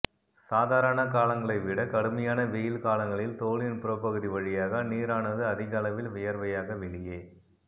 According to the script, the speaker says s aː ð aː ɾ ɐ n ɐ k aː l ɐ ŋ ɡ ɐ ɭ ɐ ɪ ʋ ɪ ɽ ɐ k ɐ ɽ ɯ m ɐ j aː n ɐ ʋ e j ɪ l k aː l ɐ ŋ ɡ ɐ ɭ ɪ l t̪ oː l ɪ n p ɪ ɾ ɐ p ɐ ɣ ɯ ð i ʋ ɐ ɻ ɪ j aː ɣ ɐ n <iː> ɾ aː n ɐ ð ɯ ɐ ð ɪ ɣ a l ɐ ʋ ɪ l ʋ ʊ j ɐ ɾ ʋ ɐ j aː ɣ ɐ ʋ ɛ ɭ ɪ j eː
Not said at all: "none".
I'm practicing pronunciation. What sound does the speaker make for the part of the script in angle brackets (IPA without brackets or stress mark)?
iː